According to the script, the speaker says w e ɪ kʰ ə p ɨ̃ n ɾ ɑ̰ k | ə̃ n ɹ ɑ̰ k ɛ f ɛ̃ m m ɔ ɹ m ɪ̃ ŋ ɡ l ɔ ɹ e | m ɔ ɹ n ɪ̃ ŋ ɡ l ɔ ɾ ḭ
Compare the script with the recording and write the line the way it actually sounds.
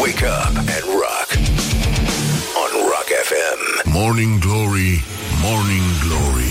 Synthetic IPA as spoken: w e ɪ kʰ ʌ p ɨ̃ n ɹ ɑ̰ k | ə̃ n ɹ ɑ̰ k ɛ f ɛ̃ m m ɔ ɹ n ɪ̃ ŋ ɡ l ɔ ɹ i | m ɔ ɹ n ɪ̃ ŋ ɡ l ɔ ɹ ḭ